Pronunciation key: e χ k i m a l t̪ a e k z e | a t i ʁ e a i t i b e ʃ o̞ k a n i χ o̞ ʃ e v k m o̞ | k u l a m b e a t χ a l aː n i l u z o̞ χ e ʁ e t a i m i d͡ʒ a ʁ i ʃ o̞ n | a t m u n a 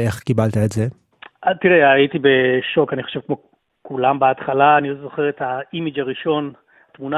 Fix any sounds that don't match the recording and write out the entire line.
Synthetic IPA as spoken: e χ k i b a l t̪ a e t z e | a t i ʁ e a i t i b e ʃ o̞ k a n i χ o̞ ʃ e v k m o̞ | k u l a m b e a t χ a l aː n i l o z o̞ χ e ʁ e t a i m i d͡ʒ a ʁ i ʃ o̞ n | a t m u n a